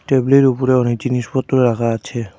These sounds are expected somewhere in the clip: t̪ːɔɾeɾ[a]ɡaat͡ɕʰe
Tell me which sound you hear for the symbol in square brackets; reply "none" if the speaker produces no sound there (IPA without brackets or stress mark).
a